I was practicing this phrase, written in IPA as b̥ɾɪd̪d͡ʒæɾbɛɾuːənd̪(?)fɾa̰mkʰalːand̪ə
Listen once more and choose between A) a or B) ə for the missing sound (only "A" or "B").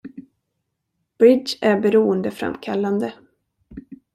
B